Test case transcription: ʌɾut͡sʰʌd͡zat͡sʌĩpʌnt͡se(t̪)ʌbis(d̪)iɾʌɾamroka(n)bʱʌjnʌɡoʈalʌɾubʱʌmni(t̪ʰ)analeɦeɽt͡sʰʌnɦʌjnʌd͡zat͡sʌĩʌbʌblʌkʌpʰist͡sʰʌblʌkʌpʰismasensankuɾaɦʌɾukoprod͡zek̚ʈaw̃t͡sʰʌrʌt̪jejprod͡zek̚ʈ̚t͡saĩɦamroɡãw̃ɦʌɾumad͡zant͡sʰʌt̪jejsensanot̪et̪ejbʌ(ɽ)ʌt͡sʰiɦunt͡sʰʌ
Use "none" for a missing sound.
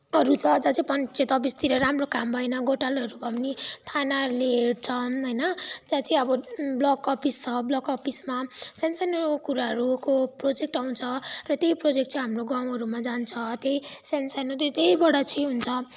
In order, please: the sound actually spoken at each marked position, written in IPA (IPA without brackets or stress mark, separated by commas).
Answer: t̪, t̪, m, t̪ʰ, ɽ